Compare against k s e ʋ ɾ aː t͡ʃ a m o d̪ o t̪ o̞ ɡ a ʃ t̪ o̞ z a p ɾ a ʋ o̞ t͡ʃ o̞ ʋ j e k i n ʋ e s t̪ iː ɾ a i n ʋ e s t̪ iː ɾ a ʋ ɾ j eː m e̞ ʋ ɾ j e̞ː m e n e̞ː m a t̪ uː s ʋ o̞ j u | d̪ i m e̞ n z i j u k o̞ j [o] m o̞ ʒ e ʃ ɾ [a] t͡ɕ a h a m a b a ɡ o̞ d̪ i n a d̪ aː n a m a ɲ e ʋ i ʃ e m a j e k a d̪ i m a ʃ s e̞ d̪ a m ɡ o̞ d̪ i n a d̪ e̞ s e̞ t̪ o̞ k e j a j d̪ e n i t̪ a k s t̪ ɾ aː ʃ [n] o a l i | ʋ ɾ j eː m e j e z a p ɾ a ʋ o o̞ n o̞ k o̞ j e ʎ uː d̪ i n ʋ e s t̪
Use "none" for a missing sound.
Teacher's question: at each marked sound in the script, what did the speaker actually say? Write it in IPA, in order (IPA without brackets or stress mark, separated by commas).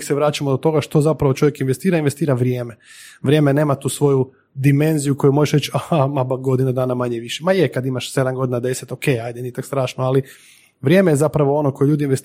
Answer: u, e, n